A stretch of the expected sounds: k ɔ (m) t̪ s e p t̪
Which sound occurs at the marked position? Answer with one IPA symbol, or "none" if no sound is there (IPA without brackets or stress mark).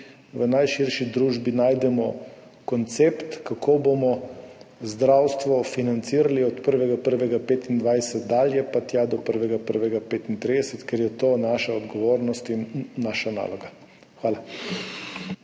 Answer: n